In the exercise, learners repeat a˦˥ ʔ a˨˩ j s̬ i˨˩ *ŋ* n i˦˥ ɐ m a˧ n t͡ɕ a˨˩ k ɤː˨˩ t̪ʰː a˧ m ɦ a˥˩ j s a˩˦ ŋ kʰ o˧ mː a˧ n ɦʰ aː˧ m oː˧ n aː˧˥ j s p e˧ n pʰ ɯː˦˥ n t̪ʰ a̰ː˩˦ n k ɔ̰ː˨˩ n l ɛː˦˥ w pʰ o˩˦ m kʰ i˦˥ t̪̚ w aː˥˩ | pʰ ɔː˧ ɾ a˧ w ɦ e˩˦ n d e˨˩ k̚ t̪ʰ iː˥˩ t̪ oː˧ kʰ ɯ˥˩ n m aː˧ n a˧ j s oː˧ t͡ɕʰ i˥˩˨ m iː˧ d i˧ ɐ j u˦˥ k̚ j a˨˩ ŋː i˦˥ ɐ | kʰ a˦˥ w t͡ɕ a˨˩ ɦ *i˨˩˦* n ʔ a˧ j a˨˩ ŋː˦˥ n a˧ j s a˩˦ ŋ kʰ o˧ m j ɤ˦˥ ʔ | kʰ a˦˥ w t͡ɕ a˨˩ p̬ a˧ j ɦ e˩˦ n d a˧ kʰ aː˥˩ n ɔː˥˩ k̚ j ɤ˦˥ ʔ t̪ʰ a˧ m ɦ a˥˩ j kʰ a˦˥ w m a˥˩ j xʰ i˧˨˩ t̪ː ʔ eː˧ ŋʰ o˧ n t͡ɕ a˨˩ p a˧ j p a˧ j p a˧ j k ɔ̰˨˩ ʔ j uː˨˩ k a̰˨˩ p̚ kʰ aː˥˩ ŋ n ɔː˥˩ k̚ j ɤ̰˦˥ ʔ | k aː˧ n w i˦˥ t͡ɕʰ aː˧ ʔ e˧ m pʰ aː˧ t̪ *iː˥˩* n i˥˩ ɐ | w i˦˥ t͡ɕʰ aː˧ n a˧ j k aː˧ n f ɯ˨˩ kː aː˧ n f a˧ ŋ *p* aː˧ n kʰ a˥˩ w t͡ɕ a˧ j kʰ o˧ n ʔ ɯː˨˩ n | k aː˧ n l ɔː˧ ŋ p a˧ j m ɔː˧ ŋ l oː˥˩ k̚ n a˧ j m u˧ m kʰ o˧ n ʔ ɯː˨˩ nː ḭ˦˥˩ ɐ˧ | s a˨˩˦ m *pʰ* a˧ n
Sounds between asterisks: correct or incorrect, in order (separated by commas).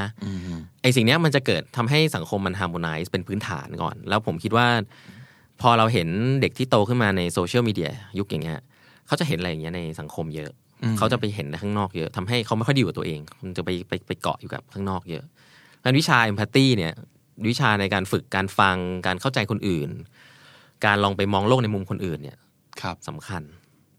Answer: correct, incorrect, correct, incorrect, incorrect